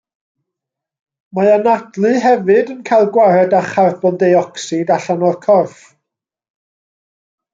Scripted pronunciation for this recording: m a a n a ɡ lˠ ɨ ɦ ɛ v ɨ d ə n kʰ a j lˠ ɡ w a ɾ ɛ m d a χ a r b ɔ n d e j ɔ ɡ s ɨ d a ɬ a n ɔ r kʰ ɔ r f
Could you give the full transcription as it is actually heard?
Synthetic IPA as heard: m a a n a d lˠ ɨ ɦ ɛ v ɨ d ə n kʰ a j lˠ ɡ w a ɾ ɛ d a χ a r b ɔ n d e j ɔ k s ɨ d a ɬ a n ɔ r kʰ ɔ r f